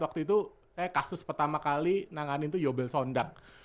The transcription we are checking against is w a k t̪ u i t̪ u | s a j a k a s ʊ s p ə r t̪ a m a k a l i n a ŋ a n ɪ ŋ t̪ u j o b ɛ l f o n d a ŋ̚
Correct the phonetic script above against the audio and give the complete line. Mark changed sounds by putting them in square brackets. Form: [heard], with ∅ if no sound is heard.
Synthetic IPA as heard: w a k t̪ u i t̪ u | s a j a k a s ʊ s p ə r t̪ a m a k a l i n a ŋ a n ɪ [n] t̪ u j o b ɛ l [s] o n d a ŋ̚